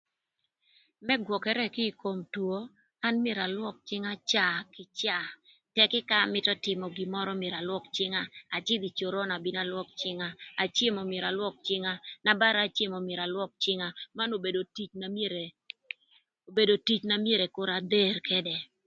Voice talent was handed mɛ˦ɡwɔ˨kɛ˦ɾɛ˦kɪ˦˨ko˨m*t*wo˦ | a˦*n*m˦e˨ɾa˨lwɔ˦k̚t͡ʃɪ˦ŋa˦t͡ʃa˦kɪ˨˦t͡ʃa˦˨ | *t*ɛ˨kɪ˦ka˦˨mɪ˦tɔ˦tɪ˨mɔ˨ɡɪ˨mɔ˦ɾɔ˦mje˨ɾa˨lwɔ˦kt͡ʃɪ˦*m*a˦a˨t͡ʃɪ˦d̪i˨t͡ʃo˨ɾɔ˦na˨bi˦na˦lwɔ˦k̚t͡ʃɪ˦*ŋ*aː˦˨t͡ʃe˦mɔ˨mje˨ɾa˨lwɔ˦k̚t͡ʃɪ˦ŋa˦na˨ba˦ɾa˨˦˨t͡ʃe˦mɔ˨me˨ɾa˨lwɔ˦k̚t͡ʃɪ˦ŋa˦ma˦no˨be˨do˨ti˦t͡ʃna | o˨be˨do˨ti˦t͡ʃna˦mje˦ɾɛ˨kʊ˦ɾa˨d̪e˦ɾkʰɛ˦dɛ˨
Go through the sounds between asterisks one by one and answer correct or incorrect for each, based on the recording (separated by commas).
correct, correct, correct, incorrect, correct